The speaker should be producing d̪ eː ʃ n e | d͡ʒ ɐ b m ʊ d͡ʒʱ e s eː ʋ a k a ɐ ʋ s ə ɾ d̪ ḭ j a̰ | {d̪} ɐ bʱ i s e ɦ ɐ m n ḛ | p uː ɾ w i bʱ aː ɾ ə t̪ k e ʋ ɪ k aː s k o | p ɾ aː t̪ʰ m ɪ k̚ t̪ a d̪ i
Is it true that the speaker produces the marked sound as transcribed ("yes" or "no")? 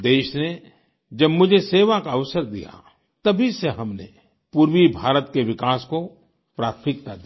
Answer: no